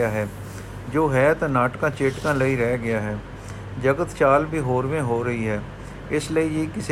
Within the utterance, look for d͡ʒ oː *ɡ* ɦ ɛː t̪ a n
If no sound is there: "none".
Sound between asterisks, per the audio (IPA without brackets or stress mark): none